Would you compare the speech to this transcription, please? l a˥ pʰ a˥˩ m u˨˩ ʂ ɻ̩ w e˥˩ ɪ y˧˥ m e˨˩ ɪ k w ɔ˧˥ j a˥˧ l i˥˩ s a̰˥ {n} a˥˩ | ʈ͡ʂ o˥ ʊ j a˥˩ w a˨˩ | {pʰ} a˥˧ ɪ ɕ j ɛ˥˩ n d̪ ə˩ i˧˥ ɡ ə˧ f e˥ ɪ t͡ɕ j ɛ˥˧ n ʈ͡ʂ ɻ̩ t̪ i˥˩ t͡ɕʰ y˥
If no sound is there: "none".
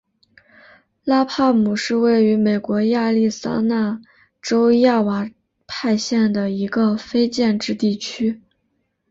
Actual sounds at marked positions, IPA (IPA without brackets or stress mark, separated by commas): n, pʰ